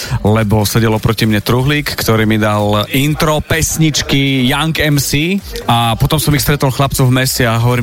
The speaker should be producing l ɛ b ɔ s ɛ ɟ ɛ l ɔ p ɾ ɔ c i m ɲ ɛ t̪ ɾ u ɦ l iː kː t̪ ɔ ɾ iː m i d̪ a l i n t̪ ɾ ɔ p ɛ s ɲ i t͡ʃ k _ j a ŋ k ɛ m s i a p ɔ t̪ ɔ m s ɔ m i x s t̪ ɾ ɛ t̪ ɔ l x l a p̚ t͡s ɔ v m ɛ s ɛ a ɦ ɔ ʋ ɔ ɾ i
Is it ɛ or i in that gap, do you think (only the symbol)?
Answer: i